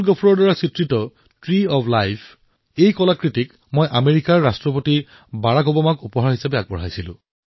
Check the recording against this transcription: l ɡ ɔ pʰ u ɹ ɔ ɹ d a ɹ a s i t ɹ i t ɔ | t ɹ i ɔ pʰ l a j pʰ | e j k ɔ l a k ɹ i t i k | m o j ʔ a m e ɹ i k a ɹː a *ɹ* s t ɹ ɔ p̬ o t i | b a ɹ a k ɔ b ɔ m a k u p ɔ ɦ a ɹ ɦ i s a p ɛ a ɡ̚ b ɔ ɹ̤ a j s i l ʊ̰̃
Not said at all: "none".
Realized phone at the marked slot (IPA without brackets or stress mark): none